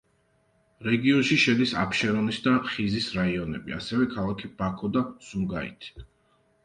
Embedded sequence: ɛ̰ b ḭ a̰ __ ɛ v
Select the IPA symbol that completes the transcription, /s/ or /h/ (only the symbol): s